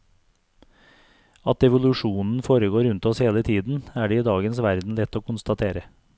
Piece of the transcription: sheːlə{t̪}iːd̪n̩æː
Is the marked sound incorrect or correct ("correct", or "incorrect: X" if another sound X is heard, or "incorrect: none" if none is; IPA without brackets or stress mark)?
incorrect: t̪ʰ